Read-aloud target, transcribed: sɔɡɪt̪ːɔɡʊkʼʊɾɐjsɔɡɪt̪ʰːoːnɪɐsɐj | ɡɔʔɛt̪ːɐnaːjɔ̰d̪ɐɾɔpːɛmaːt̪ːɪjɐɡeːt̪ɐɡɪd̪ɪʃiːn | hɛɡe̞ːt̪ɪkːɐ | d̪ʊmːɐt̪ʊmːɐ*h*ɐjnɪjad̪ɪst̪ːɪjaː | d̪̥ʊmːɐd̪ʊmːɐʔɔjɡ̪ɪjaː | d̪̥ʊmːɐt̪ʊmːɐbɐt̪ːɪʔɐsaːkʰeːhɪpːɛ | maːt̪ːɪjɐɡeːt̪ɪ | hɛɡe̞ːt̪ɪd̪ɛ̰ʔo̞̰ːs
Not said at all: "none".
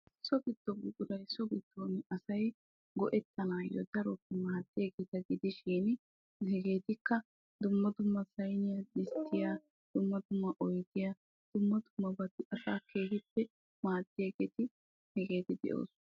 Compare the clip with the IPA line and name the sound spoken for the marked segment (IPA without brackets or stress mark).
s